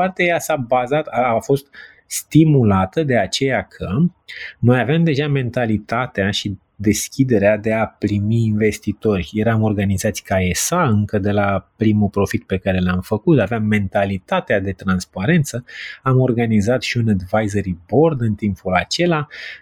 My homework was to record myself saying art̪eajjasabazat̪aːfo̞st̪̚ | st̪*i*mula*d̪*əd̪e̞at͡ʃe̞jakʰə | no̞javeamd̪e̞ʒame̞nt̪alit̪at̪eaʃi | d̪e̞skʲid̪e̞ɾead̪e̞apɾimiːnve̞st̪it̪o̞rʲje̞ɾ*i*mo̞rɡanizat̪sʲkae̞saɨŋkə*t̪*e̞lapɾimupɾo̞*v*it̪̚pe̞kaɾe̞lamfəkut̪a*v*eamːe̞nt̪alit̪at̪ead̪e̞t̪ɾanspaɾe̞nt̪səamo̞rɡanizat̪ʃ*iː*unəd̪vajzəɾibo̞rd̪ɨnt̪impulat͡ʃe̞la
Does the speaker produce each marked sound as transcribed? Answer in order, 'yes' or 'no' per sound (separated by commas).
yes, no, no, no, no, yes, no